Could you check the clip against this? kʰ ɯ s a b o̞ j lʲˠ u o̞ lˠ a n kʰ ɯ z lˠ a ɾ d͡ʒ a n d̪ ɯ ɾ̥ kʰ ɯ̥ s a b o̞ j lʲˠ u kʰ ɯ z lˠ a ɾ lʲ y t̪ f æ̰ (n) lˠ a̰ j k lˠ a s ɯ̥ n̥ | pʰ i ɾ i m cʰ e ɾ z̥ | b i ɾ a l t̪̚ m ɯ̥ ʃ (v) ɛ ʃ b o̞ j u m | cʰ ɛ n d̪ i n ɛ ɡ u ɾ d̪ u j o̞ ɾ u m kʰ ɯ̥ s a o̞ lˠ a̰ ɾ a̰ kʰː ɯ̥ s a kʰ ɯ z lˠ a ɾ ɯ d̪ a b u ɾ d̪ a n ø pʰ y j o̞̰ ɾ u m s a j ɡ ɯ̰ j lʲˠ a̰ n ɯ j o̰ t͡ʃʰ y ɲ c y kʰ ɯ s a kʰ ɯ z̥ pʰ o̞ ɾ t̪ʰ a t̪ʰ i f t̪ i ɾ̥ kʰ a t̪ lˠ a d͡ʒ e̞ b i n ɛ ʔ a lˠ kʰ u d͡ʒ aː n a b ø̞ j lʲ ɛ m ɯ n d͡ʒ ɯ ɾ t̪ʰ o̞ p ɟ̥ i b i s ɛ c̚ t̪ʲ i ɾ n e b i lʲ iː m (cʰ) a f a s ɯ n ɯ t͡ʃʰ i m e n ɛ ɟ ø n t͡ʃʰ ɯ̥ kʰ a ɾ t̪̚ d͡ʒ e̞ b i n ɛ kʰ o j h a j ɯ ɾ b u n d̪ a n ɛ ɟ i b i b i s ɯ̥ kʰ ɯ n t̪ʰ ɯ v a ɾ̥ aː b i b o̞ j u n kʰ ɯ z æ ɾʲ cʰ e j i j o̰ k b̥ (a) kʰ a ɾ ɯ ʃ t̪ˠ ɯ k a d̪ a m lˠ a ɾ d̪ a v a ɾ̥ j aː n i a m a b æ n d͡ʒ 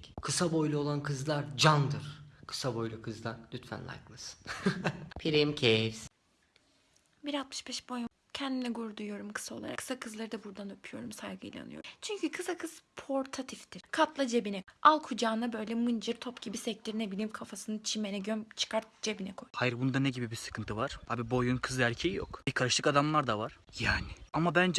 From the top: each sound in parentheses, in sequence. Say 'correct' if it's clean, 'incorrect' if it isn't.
correct, incorrect, incorrect, incorrect

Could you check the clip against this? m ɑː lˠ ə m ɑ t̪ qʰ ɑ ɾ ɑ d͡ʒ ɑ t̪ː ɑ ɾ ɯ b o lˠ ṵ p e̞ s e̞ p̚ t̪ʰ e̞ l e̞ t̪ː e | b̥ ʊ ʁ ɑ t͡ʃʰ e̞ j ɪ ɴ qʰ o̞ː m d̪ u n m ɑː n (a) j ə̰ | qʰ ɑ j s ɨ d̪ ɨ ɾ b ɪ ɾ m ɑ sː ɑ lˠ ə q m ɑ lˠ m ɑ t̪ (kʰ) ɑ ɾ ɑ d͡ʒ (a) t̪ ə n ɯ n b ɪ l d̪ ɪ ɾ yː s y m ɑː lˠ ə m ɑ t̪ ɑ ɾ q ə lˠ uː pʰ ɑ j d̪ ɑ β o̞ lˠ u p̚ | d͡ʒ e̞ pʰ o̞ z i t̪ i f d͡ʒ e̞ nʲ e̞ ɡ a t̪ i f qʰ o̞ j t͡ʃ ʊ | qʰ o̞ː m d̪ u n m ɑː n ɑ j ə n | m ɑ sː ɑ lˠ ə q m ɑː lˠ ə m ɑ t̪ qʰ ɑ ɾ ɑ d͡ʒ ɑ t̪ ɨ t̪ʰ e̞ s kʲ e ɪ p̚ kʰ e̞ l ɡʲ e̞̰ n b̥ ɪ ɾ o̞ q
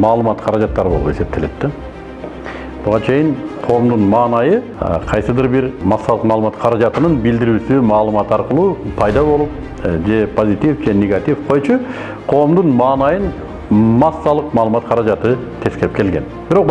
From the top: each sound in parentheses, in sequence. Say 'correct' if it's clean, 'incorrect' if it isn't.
incorrect, incorrect, incorrect

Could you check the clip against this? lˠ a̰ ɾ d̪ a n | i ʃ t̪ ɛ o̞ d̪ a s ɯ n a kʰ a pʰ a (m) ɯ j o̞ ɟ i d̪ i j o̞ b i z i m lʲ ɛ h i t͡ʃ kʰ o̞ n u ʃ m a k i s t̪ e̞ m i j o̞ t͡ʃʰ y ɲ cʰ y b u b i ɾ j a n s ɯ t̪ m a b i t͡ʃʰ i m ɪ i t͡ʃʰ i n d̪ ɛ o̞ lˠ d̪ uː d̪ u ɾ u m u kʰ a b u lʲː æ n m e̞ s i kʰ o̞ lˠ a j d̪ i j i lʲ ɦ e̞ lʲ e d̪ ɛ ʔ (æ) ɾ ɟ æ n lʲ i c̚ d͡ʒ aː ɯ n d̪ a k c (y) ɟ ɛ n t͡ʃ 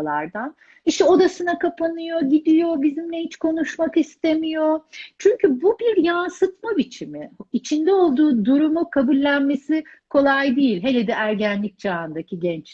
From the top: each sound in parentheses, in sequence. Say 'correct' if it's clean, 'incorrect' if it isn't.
incorrect, correct, incorrect

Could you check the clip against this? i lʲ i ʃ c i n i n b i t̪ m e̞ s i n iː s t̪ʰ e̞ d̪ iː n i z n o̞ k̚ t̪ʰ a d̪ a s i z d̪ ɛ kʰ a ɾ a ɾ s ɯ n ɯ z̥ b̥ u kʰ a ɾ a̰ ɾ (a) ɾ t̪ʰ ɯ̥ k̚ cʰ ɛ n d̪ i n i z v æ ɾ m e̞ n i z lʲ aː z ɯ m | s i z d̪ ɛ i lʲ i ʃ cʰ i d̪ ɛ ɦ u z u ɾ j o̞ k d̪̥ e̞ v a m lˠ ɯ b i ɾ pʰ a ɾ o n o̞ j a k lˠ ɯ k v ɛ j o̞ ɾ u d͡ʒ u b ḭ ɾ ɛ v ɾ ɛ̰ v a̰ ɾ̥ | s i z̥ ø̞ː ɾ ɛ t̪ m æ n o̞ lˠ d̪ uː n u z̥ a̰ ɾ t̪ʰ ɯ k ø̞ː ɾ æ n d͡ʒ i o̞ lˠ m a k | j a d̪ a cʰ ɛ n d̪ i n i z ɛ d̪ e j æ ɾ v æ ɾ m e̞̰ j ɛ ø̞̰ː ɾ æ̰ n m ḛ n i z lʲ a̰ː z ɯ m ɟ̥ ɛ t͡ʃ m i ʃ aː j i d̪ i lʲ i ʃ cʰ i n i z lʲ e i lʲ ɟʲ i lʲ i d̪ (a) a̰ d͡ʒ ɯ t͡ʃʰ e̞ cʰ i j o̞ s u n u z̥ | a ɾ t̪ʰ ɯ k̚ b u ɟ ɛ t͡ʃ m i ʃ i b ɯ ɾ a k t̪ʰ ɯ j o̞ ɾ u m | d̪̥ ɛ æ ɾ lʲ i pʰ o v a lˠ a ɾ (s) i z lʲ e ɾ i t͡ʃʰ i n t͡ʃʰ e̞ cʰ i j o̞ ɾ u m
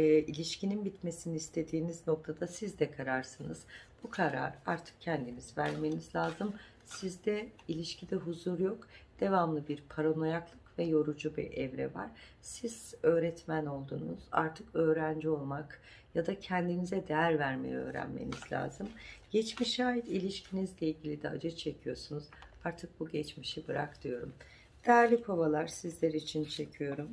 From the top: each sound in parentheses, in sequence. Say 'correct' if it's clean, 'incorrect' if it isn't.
correct, incorrect, correct

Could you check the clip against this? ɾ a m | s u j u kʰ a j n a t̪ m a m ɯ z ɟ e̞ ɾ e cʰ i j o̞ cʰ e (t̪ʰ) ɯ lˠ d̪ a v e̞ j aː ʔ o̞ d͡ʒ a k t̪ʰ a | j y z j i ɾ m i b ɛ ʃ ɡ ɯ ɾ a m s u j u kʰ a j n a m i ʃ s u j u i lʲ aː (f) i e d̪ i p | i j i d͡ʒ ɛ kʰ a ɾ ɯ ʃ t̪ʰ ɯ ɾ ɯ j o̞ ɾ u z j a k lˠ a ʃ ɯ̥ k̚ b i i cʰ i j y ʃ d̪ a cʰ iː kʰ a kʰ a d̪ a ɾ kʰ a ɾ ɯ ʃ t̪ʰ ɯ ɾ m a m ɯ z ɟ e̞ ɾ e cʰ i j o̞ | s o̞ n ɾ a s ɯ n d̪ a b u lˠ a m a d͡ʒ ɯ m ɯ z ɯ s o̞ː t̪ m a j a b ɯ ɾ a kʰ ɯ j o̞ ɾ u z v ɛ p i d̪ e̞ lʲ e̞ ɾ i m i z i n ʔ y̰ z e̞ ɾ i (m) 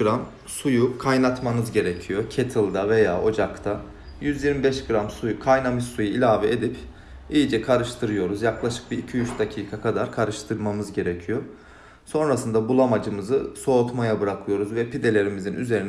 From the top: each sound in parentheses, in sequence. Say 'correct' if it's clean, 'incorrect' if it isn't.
correct, incorrect, incorrect

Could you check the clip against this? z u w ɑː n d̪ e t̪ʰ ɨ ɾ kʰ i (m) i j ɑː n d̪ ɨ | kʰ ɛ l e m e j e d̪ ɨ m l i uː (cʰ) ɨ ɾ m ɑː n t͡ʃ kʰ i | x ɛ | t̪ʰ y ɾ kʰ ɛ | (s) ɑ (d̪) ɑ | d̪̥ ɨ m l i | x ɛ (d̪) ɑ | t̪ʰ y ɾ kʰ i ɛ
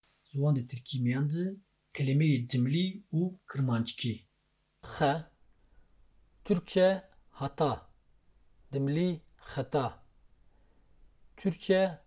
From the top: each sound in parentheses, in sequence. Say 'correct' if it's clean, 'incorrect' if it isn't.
correct, incorrect, incorrect, incorrect, incorrect

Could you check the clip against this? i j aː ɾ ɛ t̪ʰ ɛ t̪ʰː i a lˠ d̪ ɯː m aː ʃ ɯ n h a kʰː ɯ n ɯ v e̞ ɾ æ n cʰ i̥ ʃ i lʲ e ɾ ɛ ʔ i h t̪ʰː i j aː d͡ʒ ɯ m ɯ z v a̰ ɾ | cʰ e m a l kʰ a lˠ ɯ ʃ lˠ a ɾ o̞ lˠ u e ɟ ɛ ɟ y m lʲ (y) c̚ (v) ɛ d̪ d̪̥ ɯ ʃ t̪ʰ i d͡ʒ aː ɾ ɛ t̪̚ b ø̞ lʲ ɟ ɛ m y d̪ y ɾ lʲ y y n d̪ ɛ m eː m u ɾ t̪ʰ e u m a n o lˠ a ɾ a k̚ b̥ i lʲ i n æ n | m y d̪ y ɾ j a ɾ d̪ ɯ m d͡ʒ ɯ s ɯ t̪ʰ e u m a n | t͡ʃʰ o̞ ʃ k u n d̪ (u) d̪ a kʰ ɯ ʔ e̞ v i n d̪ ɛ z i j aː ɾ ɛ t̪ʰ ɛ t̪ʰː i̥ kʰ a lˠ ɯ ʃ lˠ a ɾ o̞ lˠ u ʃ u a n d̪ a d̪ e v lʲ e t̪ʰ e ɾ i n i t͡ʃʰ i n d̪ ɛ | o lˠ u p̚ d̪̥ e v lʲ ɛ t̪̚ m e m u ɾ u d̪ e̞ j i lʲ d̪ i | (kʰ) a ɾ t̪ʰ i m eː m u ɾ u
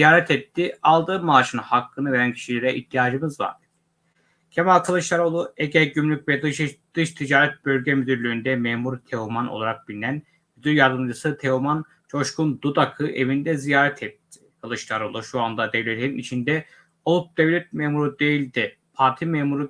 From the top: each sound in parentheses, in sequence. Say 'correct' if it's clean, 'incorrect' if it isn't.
correct, correct, correct, incorrect

